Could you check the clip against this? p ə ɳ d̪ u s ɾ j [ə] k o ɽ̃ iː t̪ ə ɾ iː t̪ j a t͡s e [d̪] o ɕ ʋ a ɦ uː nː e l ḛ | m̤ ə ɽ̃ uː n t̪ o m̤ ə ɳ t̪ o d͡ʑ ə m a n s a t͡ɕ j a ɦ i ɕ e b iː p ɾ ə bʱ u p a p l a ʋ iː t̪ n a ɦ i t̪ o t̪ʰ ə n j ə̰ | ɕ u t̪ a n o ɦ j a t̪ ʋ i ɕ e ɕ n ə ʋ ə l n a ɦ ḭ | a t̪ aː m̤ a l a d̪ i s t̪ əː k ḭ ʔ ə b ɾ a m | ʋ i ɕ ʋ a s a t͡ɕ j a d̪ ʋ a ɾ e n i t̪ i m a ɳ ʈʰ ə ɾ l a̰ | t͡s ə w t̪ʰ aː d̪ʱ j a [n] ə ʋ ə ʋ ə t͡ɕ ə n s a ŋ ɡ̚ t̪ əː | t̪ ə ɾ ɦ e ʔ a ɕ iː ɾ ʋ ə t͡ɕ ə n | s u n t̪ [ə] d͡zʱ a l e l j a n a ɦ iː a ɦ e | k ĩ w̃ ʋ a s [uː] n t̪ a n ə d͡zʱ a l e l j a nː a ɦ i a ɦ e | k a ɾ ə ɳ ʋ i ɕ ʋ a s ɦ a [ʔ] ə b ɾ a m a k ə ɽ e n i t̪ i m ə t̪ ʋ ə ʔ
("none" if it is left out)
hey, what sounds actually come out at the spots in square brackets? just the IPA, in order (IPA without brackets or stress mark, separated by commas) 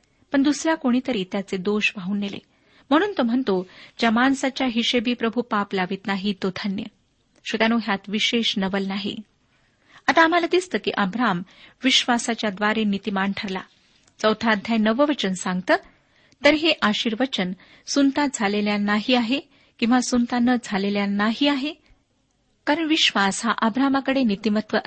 a, d̪, n, a, u, ʔ